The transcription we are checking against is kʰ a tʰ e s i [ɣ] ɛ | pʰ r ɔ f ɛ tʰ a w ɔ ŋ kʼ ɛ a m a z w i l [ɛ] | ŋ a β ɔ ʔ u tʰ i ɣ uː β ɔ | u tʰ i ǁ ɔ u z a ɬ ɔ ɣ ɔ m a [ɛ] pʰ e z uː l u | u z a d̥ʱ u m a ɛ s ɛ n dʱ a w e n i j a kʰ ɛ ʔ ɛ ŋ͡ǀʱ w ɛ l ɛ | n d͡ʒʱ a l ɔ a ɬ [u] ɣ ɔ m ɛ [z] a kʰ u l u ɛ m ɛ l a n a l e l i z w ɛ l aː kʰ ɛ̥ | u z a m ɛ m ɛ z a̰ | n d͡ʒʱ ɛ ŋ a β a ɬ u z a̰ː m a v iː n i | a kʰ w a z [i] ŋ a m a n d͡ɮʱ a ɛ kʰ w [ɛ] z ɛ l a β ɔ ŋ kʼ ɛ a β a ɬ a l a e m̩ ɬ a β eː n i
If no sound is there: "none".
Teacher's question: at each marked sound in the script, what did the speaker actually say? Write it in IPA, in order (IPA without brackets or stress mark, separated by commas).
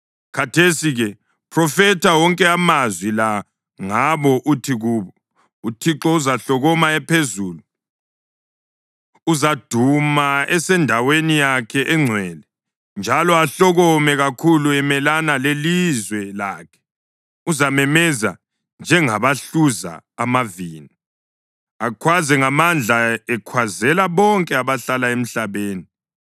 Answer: ɣ, a, ɛ, ɔ, ɣ, ɛ, a